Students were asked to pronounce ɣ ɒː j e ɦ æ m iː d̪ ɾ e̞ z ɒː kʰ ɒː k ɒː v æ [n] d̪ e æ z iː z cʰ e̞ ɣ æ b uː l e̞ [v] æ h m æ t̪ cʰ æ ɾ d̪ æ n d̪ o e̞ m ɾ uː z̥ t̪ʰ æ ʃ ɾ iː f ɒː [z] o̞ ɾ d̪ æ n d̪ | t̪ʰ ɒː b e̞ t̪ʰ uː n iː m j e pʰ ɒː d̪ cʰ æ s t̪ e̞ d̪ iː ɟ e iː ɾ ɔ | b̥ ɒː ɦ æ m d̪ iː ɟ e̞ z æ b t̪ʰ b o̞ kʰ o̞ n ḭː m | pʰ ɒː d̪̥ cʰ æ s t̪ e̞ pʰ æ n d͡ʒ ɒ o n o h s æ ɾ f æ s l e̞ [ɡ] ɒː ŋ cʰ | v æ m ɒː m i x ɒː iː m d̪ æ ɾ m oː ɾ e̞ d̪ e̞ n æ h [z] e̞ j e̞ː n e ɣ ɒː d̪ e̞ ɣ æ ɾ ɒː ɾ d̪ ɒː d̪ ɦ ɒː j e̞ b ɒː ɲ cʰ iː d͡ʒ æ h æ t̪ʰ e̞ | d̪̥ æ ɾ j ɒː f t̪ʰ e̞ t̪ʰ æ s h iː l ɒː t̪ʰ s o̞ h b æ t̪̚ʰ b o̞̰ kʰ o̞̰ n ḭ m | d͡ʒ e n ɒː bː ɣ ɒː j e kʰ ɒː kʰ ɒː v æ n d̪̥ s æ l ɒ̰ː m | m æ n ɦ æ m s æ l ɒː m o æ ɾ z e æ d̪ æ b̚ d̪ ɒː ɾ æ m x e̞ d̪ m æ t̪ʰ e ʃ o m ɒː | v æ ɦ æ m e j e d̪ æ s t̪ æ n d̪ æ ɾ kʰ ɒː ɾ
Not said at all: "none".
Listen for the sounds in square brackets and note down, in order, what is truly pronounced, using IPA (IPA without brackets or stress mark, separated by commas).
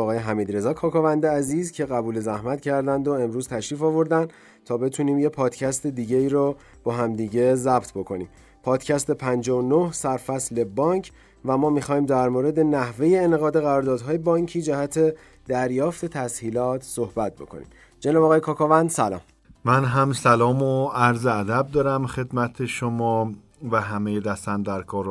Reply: n, z, v, b, v